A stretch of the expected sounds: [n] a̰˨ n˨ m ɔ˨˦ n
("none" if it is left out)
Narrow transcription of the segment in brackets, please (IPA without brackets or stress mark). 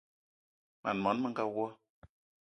m